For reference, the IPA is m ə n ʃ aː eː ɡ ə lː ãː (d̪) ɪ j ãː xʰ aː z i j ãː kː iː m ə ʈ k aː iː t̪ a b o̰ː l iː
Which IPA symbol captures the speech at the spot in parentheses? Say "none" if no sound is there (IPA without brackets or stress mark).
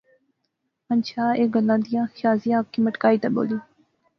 d̪